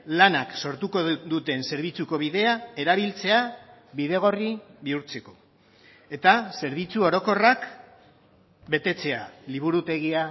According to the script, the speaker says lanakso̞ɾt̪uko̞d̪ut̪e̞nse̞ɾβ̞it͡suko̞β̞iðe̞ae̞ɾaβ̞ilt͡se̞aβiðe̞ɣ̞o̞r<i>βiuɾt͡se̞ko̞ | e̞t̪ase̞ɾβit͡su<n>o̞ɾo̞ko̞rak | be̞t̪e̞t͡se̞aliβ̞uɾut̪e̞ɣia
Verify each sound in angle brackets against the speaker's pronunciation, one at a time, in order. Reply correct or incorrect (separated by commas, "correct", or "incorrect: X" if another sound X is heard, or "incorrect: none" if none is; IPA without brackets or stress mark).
correct, incorrect: none